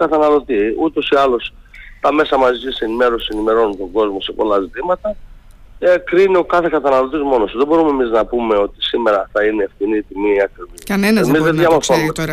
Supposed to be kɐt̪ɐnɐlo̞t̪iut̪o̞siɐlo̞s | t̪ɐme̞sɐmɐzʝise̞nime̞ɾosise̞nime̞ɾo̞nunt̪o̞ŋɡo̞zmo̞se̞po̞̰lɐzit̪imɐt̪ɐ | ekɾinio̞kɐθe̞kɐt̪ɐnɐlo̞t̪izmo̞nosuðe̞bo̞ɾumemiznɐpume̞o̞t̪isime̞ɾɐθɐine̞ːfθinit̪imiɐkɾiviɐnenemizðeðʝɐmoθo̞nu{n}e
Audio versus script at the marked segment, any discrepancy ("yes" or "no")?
yes